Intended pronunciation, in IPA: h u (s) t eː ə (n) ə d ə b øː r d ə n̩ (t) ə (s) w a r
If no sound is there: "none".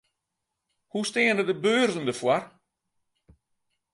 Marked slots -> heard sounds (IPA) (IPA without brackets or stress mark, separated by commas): s, n, d, f